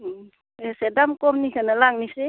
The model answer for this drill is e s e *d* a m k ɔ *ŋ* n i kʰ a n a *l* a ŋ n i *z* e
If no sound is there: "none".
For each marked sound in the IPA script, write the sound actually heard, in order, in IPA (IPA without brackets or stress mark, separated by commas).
d, m, l, s